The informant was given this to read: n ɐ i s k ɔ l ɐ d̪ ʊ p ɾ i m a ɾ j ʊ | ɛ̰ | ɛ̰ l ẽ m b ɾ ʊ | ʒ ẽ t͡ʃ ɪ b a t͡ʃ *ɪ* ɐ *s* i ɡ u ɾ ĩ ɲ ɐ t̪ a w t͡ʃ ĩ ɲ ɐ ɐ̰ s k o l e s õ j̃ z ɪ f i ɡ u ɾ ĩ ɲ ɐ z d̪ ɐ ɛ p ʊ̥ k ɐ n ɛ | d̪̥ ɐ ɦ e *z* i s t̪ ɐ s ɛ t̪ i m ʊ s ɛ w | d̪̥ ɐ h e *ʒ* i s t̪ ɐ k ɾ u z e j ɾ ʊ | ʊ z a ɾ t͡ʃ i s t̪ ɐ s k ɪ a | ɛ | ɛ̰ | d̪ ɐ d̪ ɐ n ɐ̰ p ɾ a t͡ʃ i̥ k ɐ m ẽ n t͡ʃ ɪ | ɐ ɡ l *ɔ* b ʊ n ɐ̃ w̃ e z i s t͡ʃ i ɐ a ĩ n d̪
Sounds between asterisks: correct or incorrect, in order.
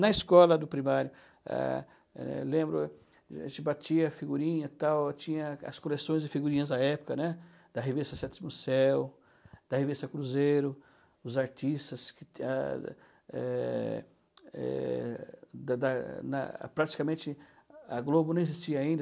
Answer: incorrect, incorrect, incorrect, incorrect, incorrect

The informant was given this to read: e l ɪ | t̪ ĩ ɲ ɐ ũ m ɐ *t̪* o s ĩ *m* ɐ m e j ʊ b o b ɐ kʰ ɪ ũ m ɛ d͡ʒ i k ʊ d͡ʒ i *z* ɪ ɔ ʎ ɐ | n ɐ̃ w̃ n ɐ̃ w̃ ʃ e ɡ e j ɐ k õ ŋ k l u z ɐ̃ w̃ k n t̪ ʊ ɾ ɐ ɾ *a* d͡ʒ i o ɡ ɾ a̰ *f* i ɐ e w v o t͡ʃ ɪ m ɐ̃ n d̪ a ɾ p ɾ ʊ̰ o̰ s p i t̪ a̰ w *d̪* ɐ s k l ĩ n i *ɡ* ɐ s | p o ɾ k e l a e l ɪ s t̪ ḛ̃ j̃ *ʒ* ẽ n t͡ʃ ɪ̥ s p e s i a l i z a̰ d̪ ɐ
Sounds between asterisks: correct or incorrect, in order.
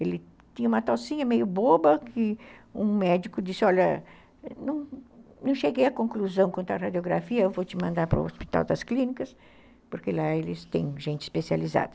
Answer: correct, incorrect, incorrect, correct, correct, correct, incorrect, correct

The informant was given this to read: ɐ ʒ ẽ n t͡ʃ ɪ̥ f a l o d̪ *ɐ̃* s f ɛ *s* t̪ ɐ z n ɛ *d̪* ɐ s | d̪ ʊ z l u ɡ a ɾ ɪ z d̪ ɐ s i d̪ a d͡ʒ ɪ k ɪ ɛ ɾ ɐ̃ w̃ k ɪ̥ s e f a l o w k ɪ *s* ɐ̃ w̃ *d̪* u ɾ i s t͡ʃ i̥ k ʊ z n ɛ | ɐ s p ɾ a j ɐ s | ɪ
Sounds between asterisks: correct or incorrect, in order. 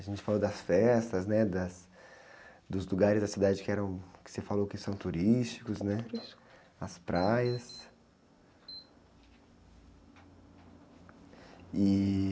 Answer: incorrect, correct, correct, correct, incorrect

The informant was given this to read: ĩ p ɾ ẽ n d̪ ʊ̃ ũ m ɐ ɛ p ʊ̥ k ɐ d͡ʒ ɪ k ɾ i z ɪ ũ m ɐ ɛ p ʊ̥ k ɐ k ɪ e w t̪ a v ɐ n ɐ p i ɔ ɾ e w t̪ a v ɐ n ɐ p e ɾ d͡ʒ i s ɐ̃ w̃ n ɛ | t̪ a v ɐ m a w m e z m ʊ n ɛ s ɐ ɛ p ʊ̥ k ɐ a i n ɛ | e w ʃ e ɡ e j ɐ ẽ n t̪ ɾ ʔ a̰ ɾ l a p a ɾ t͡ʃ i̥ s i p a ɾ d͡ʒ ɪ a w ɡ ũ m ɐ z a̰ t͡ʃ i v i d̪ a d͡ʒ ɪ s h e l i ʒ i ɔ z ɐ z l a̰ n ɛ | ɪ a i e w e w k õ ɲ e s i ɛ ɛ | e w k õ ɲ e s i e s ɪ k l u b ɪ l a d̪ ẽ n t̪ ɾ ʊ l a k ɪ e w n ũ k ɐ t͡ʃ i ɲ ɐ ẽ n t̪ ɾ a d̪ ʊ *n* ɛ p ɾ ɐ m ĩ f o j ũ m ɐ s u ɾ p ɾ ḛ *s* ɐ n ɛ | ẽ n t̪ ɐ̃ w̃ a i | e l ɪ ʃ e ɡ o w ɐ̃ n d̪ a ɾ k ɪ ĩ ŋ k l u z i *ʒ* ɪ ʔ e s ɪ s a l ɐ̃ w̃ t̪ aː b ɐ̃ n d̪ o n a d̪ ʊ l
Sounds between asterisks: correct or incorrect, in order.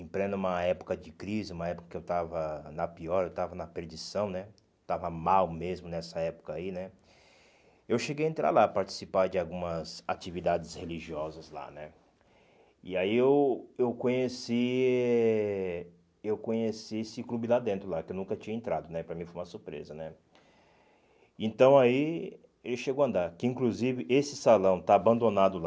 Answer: correct, incorrect, incorrect

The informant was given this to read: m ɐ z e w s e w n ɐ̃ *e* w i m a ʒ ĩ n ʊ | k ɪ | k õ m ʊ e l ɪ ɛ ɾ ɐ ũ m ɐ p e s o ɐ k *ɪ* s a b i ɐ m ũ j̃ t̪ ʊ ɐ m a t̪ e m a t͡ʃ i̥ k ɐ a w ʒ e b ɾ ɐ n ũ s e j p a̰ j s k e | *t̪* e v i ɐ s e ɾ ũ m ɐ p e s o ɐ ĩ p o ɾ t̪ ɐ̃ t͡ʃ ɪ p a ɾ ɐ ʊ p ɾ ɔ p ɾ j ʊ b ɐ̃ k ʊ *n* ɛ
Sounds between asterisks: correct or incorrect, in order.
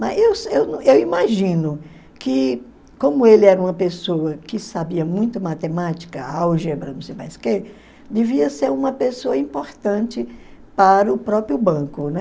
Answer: correct, correct, incorrect, correct

